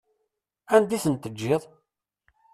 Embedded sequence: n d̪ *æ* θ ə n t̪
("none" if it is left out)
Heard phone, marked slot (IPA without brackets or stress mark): i